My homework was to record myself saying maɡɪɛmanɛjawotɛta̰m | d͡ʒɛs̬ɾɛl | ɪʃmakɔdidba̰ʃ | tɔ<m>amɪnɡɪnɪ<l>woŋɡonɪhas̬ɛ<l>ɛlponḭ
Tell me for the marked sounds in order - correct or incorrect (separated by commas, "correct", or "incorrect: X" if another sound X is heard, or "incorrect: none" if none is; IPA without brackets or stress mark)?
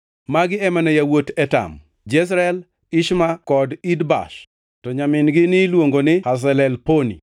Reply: incorrect: ɲ, correct, correct